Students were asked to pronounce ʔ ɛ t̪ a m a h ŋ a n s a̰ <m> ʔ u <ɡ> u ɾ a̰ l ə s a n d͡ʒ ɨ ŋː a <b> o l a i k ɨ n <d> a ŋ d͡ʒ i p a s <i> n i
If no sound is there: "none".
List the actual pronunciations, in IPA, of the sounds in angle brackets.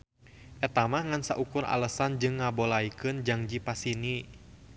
none, k, b, d͡ʒ, i

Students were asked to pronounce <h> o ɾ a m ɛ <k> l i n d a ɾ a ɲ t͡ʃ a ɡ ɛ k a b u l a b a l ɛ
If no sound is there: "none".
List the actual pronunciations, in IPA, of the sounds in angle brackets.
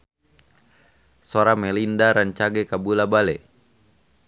s, none

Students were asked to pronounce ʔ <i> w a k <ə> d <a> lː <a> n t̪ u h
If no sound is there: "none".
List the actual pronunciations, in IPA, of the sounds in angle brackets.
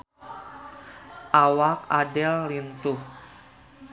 a, a, ɛ, i

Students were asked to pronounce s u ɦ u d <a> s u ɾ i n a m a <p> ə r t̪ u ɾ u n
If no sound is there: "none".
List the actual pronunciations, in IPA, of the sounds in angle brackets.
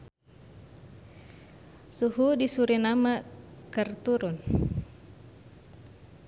i, k

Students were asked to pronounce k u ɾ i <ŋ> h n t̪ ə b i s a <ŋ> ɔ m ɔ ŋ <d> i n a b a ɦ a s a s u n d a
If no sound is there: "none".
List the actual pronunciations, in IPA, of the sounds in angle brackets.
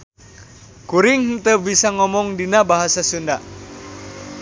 ŋ, ŋ, d

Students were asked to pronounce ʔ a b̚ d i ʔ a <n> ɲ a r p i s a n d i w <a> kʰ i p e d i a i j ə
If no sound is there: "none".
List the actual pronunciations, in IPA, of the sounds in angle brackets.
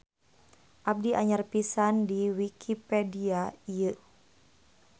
none, i

